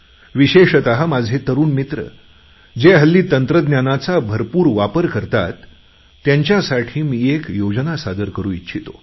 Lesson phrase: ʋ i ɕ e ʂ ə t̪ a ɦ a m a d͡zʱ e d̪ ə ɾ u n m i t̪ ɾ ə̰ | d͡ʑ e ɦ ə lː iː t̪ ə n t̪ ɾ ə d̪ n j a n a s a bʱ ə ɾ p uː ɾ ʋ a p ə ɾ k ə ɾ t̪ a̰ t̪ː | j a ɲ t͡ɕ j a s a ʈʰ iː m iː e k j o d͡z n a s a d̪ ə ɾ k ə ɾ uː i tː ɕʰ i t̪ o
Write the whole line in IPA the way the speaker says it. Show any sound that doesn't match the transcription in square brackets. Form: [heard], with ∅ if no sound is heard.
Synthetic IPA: ʋ i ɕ e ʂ ə t̪ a ɦ a m a d͡zʱ e [t̪] ə ɾ [uː] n m i t̪ ɾ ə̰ | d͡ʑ e ɦ ə lː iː t̪ ə n t̪ ɾ ə d̪ n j a n a [t͡s] a bʱ ə ɾ p uː ɾ ʋ a p ə ɾ k ə ɾ t̪ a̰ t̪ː | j a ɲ t͡ɕ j a s a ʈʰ iː m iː e k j o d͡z n a s a d̪ ə ɾ k ə ɾ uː i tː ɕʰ i t̪ o